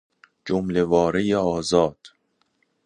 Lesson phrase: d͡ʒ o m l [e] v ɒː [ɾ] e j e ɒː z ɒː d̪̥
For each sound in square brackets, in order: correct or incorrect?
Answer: correct, correct

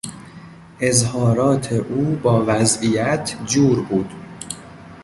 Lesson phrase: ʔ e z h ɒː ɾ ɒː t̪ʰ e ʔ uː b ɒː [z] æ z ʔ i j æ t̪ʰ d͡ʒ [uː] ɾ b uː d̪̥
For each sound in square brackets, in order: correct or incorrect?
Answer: incorrect, correct

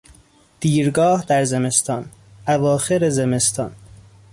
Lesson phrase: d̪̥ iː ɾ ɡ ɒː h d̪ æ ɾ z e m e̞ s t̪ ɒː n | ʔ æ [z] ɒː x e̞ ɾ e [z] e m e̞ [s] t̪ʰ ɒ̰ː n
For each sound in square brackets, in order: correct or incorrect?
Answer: incorrect, correct, correct

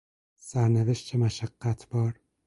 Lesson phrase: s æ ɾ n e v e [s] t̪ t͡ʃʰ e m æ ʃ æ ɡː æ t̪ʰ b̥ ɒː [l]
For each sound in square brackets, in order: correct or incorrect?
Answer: incorrect, incorrect

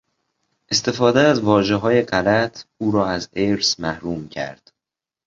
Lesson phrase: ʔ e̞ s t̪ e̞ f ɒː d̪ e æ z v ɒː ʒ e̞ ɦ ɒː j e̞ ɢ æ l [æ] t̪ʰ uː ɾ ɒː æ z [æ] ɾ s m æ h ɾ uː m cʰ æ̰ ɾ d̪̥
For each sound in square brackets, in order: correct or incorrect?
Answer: correct, incorrect

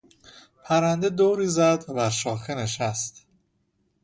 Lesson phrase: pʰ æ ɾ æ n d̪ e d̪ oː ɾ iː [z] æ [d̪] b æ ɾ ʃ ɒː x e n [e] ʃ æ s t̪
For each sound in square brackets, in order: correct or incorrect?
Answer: correct, correct, correct

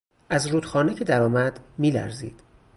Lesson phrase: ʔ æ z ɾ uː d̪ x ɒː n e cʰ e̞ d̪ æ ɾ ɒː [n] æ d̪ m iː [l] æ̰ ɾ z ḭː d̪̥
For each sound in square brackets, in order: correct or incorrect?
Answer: incorrect, correct

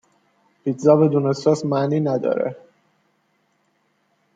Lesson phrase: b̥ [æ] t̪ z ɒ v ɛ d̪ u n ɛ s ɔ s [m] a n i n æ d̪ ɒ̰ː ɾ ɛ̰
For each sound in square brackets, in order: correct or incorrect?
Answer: incorrect, correct

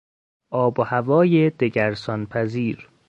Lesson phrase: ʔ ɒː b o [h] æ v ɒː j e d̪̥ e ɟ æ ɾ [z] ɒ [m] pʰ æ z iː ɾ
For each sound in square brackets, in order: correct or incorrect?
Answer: correct, incorrect, incorrect

